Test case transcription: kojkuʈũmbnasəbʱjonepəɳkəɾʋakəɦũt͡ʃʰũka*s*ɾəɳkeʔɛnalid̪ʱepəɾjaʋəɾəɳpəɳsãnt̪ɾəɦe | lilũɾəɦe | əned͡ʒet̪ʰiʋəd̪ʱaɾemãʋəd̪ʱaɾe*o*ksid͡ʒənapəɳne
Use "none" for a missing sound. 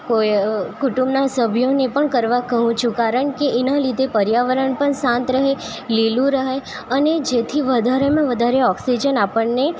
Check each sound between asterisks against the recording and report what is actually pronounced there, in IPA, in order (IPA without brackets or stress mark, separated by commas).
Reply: none, ɔ